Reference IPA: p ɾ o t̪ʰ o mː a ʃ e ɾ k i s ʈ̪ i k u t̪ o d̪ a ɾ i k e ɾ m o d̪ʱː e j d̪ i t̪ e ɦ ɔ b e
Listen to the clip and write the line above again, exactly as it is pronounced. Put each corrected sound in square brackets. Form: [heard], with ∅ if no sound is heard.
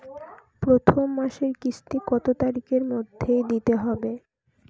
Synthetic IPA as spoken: p ɾ o t̪ʰ o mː a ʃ e ɾ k i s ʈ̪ i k [ɔ] t̪ o [t̪] a ɾ i k e ɾ m o d̪ʱː e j d̪ i t̪ e ɦ ɔ b e